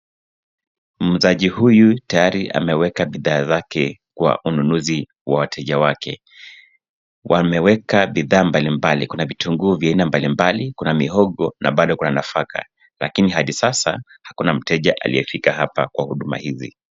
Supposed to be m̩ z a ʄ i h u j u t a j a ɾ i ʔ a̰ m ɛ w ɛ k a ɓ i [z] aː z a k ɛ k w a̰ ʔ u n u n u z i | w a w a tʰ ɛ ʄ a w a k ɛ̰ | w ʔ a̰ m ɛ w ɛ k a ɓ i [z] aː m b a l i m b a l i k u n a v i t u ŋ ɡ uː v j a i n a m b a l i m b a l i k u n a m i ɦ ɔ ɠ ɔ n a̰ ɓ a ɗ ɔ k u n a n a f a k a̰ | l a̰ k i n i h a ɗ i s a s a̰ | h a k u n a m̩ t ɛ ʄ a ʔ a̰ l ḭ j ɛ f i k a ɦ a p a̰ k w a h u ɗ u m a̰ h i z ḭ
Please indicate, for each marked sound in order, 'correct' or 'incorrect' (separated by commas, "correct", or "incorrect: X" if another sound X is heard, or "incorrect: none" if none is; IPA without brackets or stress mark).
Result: incorrect: ð, incorrect: ð